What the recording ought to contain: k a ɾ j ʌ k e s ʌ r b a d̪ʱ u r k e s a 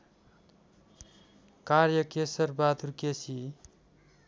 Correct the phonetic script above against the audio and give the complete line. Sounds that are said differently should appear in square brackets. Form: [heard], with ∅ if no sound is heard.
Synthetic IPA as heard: k a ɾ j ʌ k e s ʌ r b a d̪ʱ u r k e s [i]